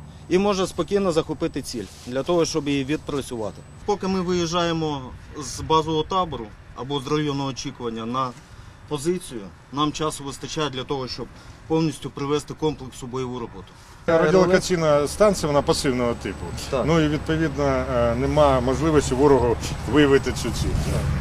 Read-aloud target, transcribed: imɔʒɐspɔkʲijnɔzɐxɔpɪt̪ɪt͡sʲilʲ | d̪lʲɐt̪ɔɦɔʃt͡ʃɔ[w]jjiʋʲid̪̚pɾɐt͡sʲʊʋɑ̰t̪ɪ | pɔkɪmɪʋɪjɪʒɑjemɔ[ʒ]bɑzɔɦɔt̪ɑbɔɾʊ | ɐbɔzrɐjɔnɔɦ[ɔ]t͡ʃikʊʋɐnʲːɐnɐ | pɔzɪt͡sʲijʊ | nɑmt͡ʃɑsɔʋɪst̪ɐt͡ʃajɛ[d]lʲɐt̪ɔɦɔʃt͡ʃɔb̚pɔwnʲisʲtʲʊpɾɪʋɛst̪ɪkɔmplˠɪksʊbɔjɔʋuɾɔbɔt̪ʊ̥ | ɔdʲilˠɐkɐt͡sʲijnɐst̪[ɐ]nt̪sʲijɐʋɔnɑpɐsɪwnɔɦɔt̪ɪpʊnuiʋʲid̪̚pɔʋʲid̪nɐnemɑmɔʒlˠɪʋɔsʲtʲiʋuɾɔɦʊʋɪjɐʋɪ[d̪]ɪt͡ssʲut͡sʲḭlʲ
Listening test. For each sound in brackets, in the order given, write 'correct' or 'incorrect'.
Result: incorrect: b, incorrect: z, incorrect: ɔː, correct, incorrect: ɑ, incorrect: t̪

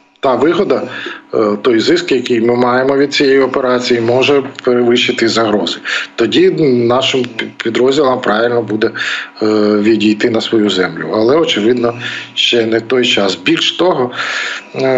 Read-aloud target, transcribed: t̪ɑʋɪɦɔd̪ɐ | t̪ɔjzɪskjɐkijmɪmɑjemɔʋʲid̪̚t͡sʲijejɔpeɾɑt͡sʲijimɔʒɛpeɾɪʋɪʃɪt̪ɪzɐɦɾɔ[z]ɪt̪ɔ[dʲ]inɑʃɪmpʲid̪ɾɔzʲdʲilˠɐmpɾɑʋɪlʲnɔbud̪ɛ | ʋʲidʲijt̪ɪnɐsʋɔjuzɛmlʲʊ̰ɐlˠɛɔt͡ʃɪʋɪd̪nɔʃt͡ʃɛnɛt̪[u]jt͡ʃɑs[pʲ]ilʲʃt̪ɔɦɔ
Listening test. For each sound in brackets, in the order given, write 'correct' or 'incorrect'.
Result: correct, correct, incorrect: ɔ, incorrect: bʲ

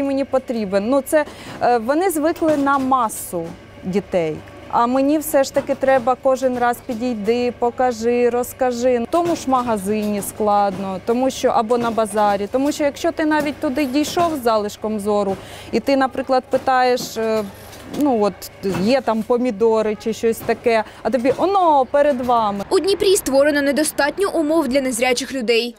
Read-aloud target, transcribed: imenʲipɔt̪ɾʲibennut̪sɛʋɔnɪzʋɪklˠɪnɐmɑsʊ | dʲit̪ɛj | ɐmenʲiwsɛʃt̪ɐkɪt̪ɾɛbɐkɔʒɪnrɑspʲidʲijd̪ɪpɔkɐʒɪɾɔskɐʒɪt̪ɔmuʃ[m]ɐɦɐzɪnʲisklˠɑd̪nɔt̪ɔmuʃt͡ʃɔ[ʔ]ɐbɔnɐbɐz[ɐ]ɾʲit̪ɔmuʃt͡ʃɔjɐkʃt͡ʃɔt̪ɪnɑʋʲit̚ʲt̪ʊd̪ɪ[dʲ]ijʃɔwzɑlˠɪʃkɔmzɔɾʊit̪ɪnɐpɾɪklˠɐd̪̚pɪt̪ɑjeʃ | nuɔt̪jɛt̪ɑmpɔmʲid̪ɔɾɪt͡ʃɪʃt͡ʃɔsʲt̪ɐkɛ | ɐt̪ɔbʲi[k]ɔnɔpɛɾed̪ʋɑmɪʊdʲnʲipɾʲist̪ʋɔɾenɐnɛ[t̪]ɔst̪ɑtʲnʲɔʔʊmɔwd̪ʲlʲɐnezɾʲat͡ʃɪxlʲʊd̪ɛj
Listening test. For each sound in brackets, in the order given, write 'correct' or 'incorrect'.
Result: correct, correct, incorrect: ɑ, correct, incorrect: ʔ, incorrect: d̪

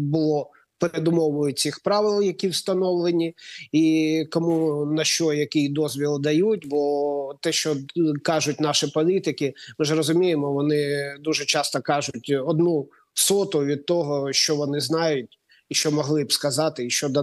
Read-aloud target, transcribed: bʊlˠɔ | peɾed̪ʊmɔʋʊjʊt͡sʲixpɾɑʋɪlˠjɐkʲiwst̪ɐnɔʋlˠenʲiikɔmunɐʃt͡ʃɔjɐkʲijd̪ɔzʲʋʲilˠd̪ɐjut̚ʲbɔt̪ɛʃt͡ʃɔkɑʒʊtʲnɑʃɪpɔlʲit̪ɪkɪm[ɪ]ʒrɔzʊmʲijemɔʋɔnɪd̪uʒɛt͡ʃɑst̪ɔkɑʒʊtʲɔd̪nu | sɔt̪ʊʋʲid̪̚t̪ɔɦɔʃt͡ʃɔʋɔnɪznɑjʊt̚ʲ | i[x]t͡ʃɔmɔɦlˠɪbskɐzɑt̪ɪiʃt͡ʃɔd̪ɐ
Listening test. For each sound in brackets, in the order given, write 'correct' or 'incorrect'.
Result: correct, incorrect: ʃ

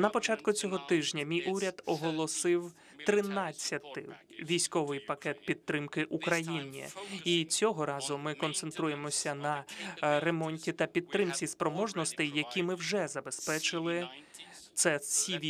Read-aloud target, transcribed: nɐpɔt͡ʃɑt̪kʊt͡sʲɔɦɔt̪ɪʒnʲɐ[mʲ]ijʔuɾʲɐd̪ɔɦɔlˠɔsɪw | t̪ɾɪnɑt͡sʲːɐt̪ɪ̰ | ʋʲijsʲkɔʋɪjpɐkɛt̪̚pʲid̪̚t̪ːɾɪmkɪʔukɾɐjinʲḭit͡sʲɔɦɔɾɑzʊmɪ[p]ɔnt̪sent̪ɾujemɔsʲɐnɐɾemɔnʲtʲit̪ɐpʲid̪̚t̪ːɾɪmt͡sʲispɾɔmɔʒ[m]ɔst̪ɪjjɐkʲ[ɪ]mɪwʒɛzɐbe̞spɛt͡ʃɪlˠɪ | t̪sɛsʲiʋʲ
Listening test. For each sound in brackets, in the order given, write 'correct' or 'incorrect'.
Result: correct, incorrect: k, incorrect: n, incorrect: i

